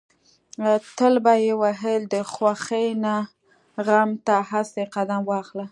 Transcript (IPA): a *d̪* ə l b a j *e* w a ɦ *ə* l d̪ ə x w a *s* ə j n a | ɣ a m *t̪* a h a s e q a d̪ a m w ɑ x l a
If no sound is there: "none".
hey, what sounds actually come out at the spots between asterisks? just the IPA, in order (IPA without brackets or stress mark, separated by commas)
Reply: t̪, e, ə, x, t̪